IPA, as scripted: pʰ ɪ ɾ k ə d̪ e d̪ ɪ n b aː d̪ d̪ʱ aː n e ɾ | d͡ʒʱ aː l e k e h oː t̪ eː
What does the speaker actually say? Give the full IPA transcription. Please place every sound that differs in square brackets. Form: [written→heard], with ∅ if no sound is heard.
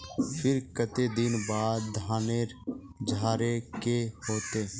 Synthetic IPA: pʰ ɪ ɾ k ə [d̪→t̪] e d̪ ɪ n b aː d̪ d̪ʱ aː n e ɾ | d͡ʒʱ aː [l→ɾ] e k e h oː t̪ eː